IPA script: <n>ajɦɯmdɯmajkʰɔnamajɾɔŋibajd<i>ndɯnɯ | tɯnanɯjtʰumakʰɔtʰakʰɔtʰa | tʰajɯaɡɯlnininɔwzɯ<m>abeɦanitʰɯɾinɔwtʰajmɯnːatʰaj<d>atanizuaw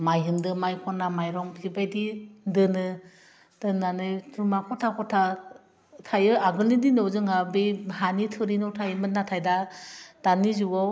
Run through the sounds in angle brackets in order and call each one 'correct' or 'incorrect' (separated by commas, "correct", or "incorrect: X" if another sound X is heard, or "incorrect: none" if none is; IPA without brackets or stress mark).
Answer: incorrect: m, correct, incorrect: ŋ, correct